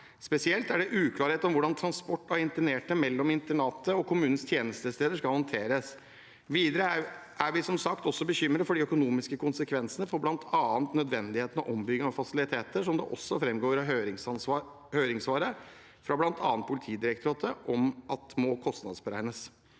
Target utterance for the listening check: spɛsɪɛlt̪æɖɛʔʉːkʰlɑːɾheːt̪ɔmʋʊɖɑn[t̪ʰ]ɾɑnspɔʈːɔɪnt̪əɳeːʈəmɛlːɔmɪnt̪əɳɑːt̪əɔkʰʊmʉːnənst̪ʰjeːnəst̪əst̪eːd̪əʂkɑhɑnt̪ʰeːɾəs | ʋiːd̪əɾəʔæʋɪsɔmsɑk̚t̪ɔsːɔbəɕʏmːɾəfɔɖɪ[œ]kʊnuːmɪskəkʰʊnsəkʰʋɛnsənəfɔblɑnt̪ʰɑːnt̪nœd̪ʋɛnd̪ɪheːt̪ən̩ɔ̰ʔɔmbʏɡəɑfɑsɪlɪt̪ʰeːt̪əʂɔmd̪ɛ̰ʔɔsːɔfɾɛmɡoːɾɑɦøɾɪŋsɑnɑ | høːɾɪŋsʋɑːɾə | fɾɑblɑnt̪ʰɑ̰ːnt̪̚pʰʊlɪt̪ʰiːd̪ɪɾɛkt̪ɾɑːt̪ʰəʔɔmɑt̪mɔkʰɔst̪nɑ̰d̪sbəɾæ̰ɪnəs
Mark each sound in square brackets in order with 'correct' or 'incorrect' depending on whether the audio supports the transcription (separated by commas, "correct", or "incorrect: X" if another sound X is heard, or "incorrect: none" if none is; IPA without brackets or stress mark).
correct, correct